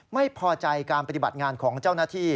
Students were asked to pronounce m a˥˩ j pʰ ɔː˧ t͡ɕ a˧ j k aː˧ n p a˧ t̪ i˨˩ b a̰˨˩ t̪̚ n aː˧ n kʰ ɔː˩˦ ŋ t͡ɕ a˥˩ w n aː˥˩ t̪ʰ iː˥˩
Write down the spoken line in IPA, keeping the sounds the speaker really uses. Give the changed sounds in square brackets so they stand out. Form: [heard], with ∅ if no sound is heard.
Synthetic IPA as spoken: m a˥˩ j pʰ ɔː˧ t͡ɕ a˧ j k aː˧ n p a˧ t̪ i˨˩ b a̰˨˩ t̪̚ [ŋ] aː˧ n kʰ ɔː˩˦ ŋ t͡ɕ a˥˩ w n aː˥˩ t̪ʰ iː˥˩

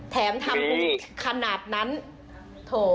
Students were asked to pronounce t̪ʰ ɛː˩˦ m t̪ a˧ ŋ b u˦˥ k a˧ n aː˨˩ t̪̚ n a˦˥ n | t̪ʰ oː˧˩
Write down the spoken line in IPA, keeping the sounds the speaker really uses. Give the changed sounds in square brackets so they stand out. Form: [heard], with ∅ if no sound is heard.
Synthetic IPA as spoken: t̪ʰ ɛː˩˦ m [t̪ʰ] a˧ [m] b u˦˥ [kʰ] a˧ n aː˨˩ t̪̚ n a˦˥ n | t̪ʰ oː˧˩

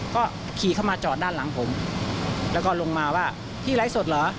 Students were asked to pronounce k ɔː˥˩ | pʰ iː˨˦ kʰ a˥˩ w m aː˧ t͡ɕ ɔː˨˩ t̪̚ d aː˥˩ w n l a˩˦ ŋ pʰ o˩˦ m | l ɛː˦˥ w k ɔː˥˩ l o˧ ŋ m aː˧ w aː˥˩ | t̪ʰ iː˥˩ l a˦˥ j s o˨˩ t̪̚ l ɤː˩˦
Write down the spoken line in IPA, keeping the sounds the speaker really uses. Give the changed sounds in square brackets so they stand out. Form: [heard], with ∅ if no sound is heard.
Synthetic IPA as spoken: k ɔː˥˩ | [kʰ] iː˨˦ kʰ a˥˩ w m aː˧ t͡ɕ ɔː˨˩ t̪̚ d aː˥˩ [∅] n l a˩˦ ŋ pʰ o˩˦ m | l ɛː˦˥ w k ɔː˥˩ l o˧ ŋ m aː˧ w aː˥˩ | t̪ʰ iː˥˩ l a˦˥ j s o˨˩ t̪̚ l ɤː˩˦

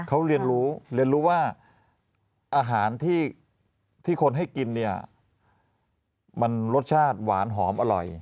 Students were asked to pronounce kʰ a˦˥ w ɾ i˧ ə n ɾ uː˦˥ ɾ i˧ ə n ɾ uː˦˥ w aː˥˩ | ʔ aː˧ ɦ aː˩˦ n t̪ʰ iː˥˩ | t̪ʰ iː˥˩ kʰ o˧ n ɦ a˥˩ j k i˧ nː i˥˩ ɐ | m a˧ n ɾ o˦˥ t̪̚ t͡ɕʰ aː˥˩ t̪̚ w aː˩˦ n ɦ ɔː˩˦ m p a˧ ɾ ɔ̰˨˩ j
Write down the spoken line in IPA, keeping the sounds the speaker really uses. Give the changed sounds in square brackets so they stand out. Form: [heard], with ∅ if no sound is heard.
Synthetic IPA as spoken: kʰ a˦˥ w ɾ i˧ ə n ɾ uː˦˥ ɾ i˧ ə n ɾ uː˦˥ w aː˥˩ | ʔ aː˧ ɦ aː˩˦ n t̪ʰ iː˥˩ | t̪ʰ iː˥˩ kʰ o˧ n ɦ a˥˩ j k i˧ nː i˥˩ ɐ | m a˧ n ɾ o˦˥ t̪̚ t͡ɕʰ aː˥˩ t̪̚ w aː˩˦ n ɦ ɔː˩˦ m [ʔ] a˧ ɾ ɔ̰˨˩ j

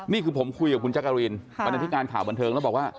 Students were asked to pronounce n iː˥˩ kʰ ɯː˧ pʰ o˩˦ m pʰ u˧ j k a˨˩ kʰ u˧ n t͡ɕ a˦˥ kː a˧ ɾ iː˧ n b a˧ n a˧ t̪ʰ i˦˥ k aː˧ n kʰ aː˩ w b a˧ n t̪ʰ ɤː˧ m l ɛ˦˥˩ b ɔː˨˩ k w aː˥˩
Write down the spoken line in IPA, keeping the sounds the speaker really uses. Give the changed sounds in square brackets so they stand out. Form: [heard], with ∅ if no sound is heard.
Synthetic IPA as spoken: n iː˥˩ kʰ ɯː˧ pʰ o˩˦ m [kʰ] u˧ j k a˨˩ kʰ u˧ n t͡ɕ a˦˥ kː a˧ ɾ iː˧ n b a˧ n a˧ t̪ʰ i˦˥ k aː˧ n kʰ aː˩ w b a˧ n t̪ʰ ɤː˧ [ŋ] l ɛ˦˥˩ b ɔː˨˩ k w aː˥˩

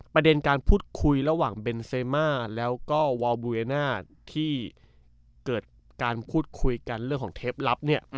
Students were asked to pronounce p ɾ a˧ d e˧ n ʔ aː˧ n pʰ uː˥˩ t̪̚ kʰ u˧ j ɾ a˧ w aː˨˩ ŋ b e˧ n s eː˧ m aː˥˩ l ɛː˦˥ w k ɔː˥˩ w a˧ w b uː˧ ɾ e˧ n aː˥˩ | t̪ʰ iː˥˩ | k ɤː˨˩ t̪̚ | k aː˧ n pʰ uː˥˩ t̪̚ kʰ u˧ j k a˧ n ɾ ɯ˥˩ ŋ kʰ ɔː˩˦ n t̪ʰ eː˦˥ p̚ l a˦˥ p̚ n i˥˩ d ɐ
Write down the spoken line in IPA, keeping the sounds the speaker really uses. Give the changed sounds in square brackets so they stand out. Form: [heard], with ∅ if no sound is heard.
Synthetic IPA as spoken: p ɾ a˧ d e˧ n [k] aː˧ n pʰ uː˥˩ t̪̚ kʰ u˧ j ɾ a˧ w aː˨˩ ŋ b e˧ n s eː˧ m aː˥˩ l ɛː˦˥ w k ɔː˥˩ w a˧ w b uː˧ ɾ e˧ n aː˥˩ | t̪ʰ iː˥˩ | k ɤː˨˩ t̪̚ | k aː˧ n pʰ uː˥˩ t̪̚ kʰ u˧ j k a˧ n ɾ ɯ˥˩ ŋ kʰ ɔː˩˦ [ŋ] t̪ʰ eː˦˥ p̚ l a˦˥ p̚ n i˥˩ [∅] ɐ

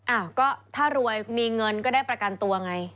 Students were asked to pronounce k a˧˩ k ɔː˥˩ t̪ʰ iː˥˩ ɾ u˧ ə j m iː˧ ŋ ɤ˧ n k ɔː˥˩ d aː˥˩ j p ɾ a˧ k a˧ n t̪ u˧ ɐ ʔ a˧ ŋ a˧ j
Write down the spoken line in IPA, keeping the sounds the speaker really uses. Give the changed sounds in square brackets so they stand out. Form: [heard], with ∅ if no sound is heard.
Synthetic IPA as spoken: [ʔ] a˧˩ k ɔː˥˩ t̪ʰ [aː˥˩] ɾ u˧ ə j m iː˧ ŋ ɤ˧ n k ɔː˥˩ d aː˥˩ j p ɾ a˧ k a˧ n t̪ u˧ ɐ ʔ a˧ ŋ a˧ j

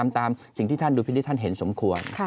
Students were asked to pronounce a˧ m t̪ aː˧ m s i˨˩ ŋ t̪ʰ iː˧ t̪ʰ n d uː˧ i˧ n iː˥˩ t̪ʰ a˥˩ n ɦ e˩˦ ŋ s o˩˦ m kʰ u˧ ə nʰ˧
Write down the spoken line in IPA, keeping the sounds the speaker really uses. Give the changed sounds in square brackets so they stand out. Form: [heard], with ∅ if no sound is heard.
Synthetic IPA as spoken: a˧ m t̪ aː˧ m s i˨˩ ŋ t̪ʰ [iː˥˩] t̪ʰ n d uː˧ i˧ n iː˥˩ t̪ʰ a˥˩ n ɦ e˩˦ [n] s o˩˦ m kʰ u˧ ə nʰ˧

